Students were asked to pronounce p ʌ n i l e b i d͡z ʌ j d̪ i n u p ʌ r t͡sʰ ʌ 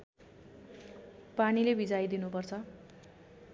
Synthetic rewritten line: p a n i l e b i d͡z a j d̪ i n u p ʌ r t͡sʰ ʌ